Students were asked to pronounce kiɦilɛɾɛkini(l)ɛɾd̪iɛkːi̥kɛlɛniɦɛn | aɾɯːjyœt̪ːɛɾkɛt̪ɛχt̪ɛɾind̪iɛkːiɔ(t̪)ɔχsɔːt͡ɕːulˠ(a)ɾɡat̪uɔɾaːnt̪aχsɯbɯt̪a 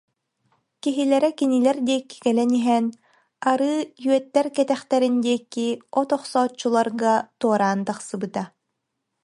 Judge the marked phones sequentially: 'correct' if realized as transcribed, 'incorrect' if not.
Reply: correct, correct, correct

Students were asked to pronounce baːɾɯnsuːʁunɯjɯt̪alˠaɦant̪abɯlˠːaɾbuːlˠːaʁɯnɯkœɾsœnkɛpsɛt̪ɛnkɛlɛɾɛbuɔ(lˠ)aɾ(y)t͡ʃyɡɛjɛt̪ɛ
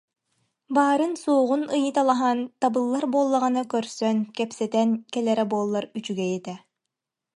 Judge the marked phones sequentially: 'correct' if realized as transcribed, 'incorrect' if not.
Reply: incorrect, correct

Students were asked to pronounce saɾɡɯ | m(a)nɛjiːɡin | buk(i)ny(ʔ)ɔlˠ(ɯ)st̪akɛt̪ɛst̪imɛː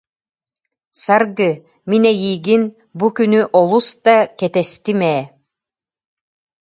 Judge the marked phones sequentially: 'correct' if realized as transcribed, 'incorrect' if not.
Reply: incorrect, incorrect, correct, incorrect

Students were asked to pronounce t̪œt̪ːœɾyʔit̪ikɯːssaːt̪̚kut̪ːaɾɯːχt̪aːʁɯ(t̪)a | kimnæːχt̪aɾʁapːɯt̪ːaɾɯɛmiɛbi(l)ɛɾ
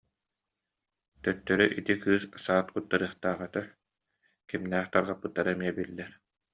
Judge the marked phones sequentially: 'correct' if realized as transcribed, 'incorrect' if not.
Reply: correct, incorrect

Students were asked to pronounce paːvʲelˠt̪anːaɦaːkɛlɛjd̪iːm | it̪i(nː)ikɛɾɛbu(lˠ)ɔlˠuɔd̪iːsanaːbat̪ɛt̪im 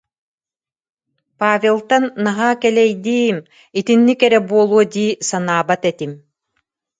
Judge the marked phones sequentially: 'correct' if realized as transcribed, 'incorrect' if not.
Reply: correct, incorrect

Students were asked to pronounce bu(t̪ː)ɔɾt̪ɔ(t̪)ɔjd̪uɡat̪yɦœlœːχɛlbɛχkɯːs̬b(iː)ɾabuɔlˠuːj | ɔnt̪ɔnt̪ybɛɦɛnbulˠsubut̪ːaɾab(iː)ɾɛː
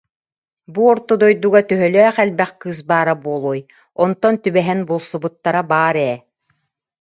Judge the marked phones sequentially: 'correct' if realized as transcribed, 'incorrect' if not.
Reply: incorrect, incorrect, incorrect, incorrect

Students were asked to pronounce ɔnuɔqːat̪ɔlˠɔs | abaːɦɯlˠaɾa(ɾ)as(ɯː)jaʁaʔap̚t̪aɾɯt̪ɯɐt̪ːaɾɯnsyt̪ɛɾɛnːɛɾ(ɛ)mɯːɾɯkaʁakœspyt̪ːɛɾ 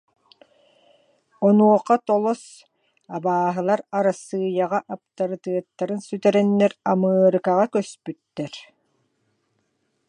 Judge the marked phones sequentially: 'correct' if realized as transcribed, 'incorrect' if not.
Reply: correct, correct, incorrect

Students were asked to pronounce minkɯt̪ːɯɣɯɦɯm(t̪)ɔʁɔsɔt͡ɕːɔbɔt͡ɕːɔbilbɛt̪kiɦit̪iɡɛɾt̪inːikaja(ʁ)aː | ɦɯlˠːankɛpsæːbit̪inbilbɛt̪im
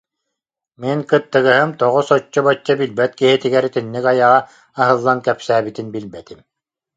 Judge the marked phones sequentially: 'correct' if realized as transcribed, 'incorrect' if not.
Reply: correct, correct

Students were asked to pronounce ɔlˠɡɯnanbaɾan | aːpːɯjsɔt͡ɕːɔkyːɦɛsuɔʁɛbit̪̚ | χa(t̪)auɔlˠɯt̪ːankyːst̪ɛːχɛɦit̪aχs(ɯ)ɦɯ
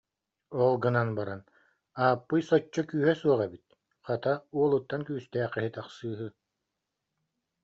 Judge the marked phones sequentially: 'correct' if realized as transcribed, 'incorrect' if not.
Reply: correct, incorrect

